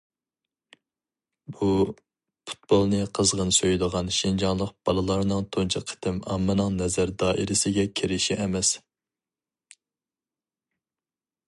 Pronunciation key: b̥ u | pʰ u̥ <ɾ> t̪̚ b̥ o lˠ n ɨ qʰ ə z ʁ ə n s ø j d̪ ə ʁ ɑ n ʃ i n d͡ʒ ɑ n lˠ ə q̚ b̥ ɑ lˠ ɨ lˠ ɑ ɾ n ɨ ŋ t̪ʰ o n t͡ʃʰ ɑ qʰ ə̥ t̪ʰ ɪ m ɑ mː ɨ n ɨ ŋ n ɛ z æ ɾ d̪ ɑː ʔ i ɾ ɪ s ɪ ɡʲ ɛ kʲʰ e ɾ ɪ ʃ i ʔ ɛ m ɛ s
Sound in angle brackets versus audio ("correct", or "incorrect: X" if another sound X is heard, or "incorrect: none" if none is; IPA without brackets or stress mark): incorrect: none